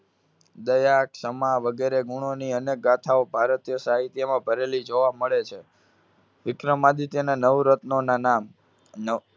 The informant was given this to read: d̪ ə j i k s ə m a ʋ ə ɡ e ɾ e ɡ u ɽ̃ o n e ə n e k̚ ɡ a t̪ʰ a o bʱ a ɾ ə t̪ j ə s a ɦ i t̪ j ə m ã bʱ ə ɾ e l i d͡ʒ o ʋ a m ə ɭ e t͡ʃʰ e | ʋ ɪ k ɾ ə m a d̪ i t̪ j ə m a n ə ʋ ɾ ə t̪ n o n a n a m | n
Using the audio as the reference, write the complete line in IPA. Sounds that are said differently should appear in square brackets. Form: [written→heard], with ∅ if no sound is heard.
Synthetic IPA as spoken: d̪ ə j [i→a] k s ə m a ʋ ə ɡ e ɾ e ɡ u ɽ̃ o n [e→i] ə n e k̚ ɡ a t̪ʰ a o bʱ a ɾ ə t̪ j ə s a ɦ i t̪ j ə m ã bʱ ə ɾ e l i d͡ʒ o ʋ a m ə ɭ e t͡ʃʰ e | ʋ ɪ k ɾ ə m a d̪ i t̪ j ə [m→n] a n ə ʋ ɾ ə t̪ n o n a n a m | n